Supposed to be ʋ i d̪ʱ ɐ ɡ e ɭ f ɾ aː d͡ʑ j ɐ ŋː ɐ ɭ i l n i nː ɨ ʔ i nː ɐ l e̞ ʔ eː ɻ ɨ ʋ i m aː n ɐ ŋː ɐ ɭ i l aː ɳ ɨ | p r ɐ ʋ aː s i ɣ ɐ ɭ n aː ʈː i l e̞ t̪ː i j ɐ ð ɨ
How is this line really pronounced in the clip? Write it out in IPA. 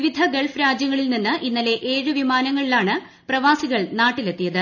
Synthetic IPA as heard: ʋ i d̪ʱ ɐ ɡ e ɭ f ɾ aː d͡ʑ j ɐ ŋː ɐ ɭ i l n i nː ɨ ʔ i nː ɐ l e̞ ʔ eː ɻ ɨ ʋ i m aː n ɐ ŋː ɐ ɭ i l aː ɳ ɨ | p r ɐ ʋ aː s i ɣ ɐ ɭ n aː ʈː i l e̞ t̪ː i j ɐ ð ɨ

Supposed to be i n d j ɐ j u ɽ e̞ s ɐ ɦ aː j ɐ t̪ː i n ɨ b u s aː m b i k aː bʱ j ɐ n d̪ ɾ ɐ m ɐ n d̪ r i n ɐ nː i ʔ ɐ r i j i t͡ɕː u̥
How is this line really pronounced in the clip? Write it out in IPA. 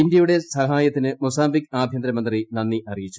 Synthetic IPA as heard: i n d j ɐ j u ɽ e̞ s ɐ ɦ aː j ɐ t̪ː i n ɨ m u s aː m b i k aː bʱ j ɐ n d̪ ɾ ɐ m ɐ n d̪ r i n ɐ nː i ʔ ɐ r i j i t͡ɕː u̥

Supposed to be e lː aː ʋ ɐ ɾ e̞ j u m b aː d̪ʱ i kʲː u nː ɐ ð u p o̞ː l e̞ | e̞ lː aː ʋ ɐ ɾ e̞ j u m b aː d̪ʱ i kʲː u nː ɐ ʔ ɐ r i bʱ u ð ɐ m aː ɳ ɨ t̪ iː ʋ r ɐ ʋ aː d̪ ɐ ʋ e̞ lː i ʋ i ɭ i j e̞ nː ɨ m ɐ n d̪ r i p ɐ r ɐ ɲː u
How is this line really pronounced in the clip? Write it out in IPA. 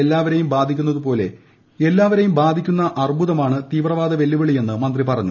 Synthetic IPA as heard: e lː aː ʋ ɐ ɾ e̞ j u m b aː d̪ʱ i kʲː u nː ɐ ð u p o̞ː l e̞ | e̞ lː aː ʋ ɐ ɾ e̞ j u m b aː d̪ʱ i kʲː u nː ɐ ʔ ɐ r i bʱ u ð ɐ m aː ɳ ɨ t̪ iː ʋ r ɐ ʋ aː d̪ ɐ ʋ e̞ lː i ʋ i ɭ i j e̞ nː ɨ m ɐ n d̪ r i p ɐ r ɐ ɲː u

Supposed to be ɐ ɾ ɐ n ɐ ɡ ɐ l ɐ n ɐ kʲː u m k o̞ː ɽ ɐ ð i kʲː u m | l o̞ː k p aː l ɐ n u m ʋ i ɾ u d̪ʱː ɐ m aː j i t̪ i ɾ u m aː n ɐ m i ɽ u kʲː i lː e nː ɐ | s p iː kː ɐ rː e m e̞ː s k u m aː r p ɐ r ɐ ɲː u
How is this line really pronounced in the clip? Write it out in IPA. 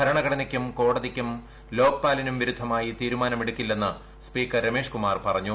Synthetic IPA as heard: ɐ ɾ ɐ ɳ ɐ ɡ ɐ ɽ ɐ n ɐ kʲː u m k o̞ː ɽ ɐ ð i kʲː u m | l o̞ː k p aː l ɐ n u m ʋ i ɾ u d̪ʱː ɐ m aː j i t̪ iː ɾ u m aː n ɐ m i ɽ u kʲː i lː e nː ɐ | s p iː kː ɐ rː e m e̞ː ʂ k u m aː r p ɐ r ɐ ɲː u

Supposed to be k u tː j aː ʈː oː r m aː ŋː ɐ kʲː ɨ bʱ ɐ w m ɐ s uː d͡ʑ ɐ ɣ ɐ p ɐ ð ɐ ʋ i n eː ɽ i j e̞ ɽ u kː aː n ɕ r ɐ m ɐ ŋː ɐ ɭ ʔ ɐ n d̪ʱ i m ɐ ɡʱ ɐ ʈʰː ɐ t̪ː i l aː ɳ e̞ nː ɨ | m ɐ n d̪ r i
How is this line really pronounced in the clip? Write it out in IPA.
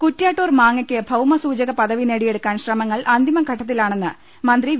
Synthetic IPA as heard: k u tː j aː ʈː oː r m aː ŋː ɐ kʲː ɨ bʱ ɐ w m ɐ s uː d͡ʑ ɐ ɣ ɐ p ɐ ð ɐ ʋ i n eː ɽ i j e̞ ɽ u kː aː n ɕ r ɐ m ɐ ŋː ɐ ɭ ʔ ɐ n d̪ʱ i m ɐ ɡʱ ɐ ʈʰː ɐ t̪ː i l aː ɳ e̞ nː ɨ | m ɐ n d̪ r i

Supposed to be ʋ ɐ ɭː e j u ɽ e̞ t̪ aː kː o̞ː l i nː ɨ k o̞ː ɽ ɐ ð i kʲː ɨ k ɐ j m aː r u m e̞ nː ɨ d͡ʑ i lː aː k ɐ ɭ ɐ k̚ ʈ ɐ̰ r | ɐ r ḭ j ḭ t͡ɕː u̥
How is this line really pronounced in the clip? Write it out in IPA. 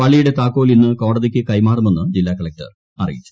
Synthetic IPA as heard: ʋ ɐ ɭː i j u ɽ e̞ t̪ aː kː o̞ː l i nː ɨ k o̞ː ɽ ɐ ð i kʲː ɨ k ɐ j m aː r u m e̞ nː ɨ d͡ʑ i lː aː k ɐ ɭ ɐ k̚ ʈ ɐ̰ r | ɐ r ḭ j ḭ t͡ɕː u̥

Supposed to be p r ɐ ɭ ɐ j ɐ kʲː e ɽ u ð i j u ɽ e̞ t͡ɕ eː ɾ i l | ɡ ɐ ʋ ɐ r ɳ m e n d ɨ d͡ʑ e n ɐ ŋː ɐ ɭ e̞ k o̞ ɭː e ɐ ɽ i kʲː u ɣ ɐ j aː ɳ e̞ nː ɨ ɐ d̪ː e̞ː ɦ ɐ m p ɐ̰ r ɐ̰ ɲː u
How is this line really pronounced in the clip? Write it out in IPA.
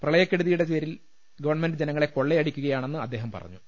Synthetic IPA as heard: p r ɐ ɭ ɐ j ɐ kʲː e ɽ u ð i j u ɽ e̞ t͡ɕ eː ɾ i l | ɡ ɐ ʋ ɐ r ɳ m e n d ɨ d͡ʑ e n ɐ ŋː ɐ ɭ e̞ k o̞ ɭː e ɐ ɽ i kʲː u ɣ ɐ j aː ɳ e̞ nː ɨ ɐ d̪ː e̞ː ɦ ɐ m p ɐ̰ r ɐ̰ ɲː u

